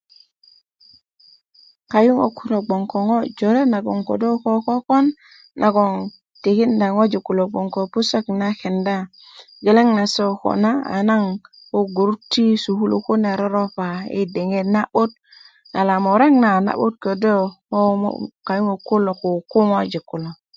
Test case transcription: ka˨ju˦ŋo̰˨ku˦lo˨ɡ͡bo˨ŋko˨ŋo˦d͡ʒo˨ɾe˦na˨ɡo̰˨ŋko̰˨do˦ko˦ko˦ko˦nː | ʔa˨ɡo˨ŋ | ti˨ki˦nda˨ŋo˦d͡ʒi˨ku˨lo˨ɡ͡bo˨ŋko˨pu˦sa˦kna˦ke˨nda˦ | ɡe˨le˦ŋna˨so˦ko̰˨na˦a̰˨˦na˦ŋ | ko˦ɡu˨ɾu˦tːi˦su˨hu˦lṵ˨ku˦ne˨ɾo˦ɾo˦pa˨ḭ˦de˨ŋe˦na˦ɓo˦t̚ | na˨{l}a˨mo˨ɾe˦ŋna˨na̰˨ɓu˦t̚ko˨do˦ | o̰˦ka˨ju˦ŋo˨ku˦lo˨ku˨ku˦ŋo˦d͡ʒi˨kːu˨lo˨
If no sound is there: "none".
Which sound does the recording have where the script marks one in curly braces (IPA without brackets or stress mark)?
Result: l